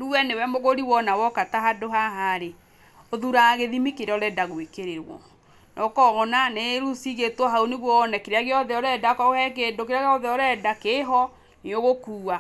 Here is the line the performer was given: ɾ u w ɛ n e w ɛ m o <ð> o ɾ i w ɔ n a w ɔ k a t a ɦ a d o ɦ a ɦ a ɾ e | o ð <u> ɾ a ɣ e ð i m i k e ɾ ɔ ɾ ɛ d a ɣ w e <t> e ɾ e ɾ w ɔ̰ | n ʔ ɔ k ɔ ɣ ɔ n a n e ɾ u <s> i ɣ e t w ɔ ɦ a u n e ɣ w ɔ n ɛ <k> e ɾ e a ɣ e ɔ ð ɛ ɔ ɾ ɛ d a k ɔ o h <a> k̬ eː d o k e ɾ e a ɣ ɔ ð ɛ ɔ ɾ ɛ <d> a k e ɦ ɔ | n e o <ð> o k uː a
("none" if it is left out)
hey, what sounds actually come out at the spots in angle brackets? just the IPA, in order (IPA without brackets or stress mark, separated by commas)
ɣ, u, k, s, k, ɛ, d, ɣ